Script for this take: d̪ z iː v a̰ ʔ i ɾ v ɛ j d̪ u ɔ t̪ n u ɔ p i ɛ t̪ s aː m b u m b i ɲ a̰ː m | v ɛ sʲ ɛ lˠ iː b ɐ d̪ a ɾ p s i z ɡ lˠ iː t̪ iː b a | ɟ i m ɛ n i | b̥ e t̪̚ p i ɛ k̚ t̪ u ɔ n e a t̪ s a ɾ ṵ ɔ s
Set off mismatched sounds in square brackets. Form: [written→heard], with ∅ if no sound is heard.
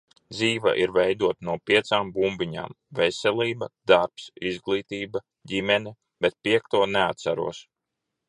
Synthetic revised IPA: d̪ z iː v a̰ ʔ i ɾ v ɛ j d̪ u ɔ t̪ n u ɔ p i ɛ t̪ s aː m b u m b i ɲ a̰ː m | v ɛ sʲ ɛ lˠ iː b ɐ d̪ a ɾ p s i z ɡ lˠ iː t̪ iː b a | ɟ i m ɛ n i | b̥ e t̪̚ p i ɛ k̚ t̪ u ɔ n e a t̪ s a ɾ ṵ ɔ s